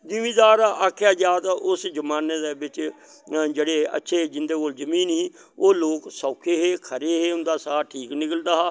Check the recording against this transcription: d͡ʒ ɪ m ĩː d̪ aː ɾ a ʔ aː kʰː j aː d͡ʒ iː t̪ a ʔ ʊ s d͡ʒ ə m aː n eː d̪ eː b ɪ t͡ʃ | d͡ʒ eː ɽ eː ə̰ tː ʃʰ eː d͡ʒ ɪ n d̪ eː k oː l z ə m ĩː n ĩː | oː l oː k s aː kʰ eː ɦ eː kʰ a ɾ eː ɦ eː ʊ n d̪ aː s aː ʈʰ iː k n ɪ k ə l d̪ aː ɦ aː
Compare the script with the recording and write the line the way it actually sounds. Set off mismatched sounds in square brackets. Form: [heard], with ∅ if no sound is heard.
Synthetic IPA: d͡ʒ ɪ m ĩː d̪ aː ɾ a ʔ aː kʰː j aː d͡ʒ [aː] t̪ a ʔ ʊ s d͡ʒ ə m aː n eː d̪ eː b ɪ t͡ʃ | d͡ʒ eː ɽ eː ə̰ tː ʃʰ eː d͡ʒ ɪ n d̪ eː k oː l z ə m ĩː n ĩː | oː l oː k s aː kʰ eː ɦ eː kʰ [ə] ɾ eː ɦ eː ʊ n d̪ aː s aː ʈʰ iː k n ɪ k ə l d̪ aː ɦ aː